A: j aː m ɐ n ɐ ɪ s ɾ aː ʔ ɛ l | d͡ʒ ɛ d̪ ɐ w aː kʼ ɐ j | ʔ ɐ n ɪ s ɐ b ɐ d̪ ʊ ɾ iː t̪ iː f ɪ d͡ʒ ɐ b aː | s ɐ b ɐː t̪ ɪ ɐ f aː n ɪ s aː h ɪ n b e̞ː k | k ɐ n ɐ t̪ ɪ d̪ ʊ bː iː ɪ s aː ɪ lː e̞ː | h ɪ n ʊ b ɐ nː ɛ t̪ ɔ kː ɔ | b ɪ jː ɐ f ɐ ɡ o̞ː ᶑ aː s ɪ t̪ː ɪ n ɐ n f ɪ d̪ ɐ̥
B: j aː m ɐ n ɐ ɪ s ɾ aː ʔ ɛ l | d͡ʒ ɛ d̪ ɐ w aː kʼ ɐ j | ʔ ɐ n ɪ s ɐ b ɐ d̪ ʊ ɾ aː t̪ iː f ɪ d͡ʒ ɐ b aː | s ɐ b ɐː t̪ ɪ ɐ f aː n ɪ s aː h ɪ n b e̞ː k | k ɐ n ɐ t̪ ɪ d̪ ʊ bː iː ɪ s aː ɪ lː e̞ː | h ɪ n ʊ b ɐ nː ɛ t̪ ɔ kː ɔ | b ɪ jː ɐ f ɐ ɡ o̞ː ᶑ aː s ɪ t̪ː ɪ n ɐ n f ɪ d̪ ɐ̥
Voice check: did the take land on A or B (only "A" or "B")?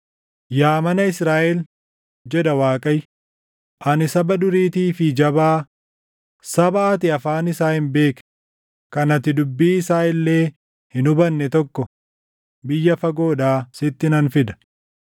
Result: A